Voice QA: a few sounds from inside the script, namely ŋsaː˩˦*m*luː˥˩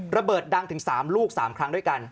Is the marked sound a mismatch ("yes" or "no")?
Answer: no